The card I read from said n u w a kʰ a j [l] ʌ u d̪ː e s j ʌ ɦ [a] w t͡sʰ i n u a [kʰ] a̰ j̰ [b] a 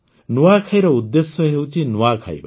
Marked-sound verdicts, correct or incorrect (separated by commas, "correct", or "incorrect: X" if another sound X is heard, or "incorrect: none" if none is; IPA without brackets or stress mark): incorrect: ɾ, incorrect: e, correct, correct